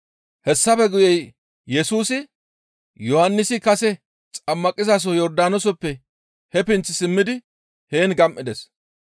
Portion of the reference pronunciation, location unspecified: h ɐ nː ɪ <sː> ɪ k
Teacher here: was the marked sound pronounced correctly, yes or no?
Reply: no